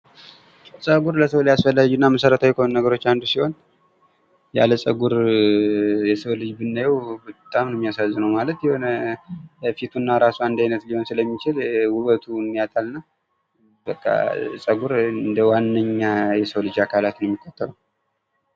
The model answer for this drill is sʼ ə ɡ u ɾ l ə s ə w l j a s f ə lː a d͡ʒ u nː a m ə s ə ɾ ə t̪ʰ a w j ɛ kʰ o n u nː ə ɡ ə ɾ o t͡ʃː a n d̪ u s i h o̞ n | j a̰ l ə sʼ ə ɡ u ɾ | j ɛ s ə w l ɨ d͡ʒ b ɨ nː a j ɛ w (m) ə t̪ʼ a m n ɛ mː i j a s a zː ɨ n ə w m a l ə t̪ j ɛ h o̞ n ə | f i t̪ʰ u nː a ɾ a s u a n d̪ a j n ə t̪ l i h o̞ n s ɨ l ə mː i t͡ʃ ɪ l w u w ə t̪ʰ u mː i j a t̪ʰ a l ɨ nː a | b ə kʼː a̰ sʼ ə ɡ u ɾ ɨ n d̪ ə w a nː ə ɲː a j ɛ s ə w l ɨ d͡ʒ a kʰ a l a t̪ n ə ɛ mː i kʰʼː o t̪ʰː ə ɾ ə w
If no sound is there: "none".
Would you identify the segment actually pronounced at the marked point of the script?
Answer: b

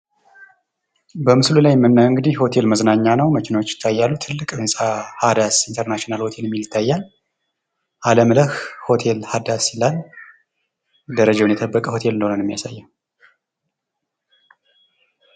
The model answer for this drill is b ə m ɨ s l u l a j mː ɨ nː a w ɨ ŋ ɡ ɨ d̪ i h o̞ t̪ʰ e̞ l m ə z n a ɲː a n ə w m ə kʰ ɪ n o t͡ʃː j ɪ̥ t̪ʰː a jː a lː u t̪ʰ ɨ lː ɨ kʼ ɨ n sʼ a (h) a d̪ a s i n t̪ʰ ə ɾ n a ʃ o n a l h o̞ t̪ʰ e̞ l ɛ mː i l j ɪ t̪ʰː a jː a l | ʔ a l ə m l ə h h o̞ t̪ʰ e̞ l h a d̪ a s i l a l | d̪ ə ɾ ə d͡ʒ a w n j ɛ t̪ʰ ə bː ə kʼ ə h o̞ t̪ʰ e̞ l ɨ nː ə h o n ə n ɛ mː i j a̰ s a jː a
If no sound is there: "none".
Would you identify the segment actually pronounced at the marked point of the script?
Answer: h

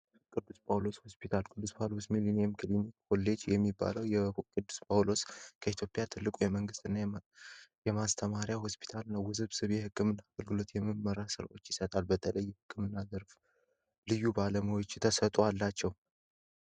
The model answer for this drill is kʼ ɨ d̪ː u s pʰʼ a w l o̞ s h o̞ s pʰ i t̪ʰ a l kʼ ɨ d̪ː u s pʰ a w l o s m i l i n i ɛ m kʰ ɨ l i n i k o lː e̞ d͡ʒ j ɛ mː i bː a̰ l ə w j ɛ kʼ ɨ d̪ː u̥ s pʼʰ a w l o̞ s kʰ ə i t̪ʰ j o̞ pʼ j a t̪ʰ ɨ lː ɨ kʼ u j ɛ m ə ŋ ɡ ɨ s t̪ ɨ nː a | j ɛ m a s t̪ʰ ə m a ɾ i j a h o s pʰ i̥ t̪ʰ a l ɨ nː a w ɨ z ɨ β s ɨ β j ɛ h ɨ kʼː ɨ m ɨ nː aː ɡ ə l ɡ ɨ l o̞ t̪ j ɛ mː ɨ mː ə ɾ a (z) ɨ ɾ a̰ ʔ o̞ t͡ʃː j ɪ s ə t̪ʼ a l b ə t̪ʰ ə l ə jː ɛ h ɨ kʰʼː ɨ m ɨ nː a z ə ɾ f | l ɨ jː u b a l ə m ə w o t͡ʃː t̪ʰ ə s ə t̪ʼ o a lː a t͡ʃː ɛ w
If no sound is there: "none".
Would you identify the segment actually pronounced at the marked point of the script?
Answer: s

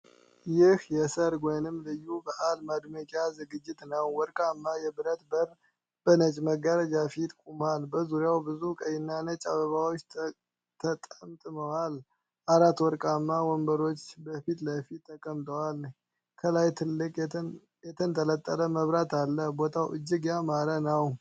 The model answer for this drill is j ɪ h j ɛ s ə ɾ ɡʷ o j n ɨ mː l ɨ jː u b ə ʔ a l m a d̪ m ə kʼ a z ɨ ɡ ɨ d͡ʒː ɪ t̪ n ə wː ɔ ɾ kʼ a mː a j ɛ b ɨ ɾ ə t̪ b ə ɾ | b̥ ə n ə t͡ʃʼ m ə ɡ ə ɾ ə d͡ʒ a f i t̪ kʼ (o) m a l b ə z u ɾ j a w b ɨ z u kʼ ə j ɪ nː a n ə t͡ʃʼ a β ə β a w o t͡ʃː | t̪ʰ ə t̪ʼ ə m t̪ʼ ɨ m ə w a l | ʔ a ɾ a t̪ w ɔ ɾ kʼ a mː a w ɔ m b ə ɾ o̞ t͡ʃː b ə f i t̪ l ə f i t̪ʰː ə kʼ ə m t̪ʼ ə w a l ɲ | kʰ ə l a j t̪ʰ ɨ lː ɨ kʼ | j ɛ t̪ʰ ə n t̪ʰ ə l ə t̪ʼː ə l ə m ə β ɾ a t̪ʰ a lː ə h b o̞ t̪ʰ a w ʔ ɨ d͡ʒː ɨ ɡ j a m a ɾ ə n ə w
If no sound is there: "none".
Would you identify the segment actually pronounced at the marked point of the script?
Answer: u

